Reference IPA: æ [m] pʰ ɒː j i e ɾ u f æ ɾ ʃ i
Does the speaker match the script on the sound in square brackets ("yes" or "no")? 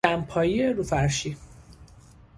yes